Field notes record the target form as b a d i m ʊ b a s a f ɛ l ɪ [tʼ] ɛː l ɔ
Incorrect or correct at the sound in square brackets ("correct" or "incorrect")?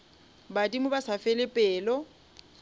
incorrect